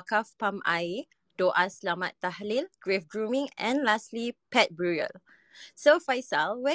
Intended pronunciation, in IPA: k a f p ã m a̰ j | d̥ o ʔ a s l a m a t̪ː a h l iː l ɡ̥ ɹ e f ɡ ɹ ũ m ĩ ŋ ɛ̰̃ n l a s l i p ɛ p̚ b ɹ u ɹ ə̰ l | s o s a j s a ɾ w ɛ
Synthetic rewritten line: k a f p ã m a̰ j | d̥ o ʔ a s l a m a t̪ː a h l i l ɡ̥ ɹ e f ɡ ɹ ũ m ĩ ŋ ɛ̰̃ n l a s l i p ɛ t̚ b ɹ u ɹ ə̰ l | s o f a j s a l w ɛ